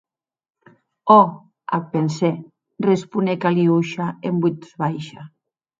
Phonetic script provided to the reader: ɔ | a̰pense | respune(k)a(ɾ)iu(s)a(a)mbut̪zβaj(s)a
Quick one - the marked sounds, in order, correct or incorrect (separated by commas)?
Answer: correct, incorrect, incorrect, incorrect, incorrect